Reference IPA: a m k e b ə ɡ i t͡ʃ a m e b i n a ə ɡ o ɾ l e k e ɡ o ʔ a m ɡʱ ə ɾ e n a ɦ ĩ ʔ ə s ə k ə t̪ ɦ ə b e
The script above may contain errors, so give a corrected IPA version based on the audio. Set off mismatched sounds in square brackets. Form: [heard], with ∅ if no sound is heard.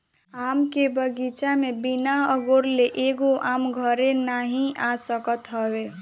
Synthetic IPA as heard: a m k e b ə ɡ i t͡ʃ a m e b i n a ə ɡ o ɾ l e [ʔ] e ɡ o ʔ a m ɡʱ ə ɾ e n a ɦ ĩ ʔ [a] s ə k ə t̪ ɦ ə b e